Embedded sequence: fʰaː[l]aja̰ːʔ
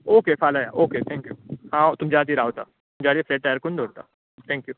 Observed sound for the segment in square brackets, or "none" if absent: l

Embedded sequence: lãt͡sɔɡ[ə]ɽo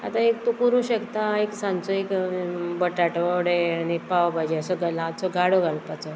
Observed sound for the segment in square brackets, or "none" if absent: a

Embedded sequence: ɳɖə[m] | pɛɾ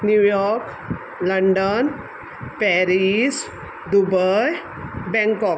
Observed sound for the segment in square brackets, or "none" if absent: n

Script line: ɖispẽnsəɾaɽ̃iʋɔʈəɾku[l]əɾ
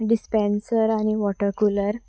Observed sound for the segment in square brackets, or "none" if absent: l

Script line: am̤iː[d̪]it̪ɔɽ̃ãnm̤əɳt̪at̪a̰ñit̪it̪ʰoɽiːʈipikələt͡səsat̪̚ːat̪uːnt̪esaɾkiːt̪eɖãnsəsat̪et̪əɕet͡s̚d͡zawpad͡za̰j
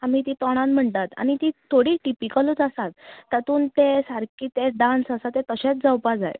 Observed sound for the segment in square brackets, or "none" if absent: t̪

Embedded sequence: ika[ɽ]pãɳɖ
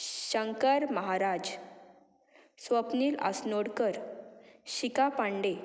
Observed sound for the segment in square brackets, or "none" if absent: none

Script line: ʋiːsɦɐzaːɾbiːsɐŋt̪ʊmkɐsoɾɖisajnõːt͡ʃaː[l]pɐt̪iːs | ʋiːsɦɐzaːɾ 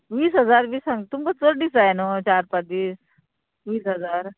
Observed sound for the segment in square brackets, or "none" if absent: ɾ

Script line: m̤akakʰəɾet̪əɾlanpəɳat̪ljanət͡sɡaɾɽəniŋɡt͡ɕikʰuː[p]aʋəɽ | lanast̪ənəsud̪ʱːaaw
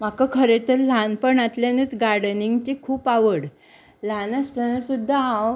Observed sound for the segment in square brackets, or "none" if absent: p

